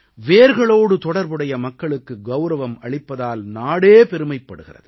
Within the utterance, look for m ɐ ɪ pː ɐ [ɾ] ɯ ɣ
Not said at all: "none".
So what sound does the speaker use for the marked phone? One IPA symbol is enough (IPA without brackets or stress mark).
ɽ